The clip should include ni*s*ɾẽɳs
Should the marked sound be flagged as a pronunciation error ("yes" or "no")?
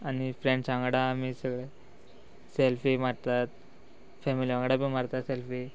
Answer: yes